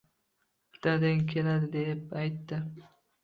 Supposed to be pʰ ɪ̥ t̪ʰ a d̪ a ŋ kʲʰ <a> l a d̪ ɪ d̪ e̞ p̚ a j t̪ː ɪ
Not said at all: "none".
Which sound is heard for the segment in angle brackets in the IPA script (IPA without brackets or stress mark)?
e